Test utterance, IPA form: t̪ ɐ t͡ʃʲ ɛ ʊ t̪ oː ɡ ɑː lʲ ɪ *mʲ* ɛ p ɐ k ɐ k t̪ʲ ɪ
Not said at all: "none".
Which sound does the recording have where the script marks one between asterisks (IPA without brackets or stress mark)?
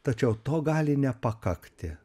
nʲ